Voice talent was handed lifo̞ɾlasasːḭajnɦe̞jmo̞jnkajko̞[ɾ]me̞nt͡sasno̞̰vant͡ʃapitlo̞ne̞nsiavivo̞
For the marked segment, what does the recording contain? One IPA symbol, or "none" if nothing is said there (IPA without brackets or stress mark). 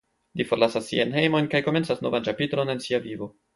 none